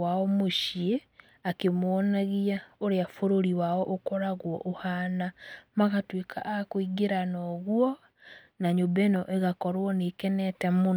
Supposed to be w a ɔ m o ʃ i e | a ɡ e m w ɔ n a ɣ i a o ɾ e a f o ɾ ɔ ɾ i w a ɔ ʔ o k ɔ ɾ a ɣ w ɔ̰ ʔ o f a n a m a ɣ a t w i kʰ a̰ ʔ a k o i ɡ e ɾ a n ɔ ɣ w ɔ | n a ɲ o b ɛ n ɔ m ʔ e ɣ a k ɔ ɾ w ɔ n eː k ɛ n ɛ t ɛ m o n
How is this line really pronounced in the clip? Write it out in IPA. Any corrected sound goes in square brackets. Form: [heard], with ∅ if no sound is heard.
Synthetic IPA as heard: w a ɔ m o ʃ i e | a [k] e m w ɔ n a ɣ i a o ɾ e a f o ɾ [o] ɾ i w a ɔ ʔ o k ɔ ɾ a ɣ w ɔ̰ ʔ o [h] a n a m a ɣ a t w [e] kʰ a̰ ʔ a k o i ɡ e ɾ a n ɔ ɣ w ɔ | n a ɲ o b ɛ n ɔ [∅] ʔ e ɣ a k ɔ ɾ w ɔ n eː k ɛ n ɛ t ɛ m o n

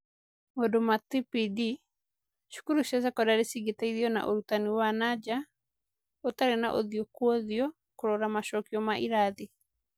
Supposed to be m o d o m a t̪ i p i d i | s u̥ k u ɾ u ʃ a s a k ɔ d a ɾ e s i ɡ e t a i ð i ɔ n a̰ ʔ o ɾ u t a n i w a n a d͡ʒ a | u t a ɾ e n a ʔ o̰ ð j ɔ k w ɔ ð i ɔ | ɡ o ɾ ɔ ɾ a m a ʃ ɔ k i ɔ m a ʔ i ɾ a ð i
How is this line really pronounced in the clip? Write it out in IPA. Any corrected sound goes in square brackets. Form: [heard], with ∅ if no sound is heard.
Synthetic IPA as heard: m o d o m a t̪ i p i d i | [ʃ] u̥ k u ɾ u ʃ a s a k ɔ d a ɾ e s i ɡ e t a i ð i ɔ n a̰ ʔ o ɾ u t a n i w a n a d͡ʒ a | [o] t a ɾ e n a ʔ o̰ ð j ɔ k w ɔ ð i ɔ | [k] o ɾ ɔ ɾ a m a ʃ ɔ k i ɔ m a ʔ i ɾ a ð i

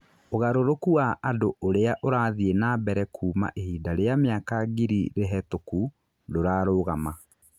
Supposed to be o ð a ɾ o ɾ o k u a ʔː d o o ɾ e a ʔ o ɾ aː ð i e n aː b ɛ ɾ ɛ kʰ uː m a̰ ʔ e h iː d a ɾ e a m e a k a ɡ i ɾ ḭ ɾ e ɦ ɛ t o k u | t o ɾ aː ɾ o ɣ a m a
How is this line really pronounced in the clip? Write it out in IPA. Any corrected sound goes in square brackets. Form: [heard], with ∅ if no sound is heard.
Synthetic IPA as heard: o [ɣ] a ɾ o ɾ o k u a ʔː d o o ɾ e a ʔ o ɾ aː ð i e n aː b ɛ ɾ ɛ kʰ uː m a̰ ʔ e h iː d a ɾ e a m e a k a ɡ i ɾ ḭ ɾ e ɦ ɛ t o k u | [d] o ɾ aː ɾ o ɣ a m a

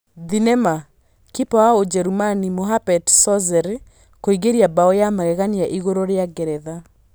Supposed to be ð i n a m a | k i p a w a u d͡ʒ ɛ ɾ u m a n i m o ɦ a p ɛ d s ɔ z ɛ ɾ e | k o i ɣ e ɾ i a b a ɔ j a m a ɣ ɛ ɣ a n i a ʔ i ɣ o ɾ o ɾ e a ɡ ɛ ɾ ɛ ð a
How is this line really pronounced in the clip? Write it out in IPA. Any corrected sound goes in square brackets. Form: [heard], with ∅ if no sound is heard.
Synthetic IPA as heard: ð i n [ɛ] m a | k i p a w a [o] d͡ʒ ɛ ɾ u m a n i m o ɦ a p ɛ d s ɔ z ɛ ɾ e | k o i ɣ e ɾ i a b a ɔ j a m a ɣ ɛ ɣ a n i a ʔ i ɣ o ɾ o ɾ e a ɡ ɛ ɾ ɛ ð a

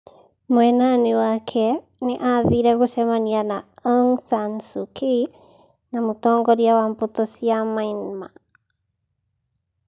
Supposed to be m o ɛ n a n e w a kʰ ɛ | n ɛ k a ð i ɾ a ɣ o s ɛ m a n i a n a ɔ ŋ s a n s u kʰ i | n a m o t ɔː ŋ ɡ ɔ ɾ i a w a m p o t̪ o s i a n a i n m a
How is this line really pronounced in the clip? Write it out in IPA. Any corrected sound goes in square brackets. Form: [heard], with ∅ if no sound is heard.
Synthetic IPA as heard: m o ɛ n a n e w a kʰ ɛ | n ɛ [ʔ] a ð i ɾ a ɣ o s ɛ m a n i a n a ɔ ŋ s a n s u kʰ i | n a m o t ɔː ŋ ɡ ɔ ɾ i a w a m p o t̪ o s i a [m] a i n m a

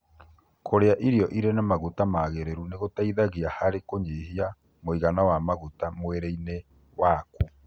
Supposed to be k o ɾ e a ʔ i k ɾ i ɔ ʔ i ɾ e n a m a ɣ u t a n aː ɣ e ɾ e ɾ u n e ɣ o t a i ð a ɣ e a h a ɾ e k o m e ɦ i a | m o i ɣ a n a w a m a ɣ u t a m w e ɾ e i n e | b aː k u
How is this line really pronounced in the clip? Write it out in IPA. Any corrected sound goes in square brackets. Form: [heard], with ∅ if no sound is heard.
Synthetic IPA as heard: k o ɾ e a ʔ i [∅] ɾ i ɔ ʔ i ɾ e n a m a ɣ u t a [m] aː ɣ e ɾ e ɾ u n e ɣ o t a i ð a ɣ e a h a ɾ e k o [ɲ] e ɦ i a | m o i ɣ a n a w a m a ɣ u t a m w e ɾ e i n e | [w] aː k u

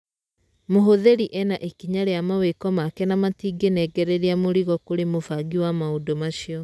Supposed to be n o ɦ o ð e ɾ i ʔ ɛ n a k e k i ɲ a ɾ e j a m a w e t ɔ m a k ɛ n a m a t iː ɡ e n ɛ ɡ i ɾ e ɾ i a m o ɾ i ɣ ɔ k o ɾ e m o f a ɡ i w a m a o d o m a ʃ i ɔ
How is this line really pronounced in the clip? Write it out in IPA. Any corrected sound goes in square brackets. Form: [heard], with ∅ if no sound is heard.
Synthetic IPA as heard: [m] o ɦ o ð e ɾ i ʔ ɛ n a [ʔ] e k i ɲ a ɾ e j a m a w e [k] ɔ m a k ɛ n a m a t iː ɡ e n ɛ ɡ [ɛ] ɾ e ɾ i a m o ɾ i ɣ ɔ k o ɾ e m o f a ɡ i w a m a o d o m a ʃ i ɔ

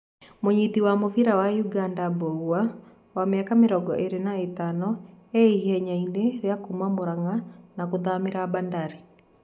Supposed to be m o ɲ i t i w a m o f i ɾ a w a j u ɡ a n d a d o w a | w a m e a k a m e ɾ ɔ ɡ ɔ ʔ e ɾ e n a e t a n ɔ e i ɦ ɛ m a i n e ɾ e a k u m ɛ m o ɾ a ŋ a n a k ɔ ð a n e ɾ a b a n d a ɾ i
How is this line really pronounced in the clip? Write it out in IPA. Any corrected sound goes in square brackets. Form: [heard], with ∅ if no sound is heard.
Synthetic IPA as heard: m o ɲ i t i w a m o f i ɾ a w a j u ɡ a n d a [b] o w a | w a m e a k a m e ɾ ɔ ɡ ɔ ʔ e ɾ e n a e t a n ɔ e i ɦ ɛ [ɲ] a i n e ɾ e a k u m [a] m o ɾ a ŋ a n a k [o] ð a [m] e ɾ a b a n d a ɾ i

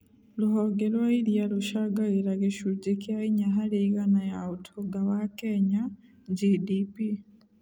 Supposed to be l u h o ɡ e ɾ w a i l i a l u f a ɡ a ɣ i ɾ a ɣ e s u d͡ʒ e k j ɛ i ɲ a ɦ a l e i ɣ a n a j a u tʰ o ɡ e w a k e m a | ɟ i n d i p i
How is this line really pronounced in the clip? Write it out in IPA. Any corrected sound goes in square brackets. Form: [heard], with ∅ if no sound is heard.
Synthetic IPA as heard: l u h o ɡ e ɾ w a i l [j] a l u [ʃ] a ɡ a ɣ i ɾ a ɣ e [ʃ] u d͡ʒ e k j [a] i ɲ a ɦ a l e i ɣ a n a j a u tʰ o ɡ [a] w a k e [ɲ] a | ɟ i [∅] d i p i

